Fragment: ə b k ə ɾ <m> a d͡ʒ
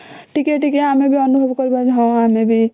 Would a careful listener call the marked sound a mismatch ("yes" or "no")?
yes